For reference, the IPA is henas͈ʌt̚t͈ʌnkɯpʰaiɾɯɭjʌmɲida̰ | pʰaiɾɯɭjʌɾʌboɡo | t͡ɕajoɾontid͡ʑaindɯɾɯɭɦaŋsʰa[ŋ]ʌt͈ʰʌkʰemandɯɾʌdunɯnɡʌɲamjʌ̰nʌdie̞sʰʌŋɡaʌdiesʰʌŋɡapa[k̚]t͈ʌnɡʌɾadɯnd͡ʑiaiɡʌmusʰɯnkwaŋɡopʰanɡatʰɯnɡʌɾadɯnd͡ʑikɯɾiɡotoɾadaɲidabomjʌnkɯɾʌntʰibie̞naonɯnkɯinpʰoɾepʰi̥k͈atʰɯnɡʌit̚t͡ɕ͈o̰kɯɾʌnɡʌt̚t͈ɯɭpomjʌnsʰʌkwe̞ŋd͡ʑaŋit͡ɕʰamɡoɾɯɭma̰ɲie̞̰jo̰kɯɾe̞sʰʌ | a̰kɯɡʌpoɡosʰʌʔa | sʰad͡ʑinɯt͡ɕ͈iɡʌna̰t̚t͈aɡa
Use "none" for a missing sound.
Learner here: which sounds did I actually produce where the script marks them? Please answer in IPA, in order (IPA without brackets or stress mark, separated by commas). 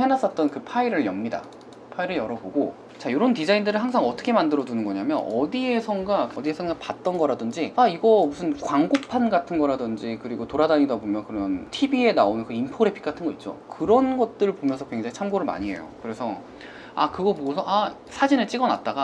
ŋ, t̚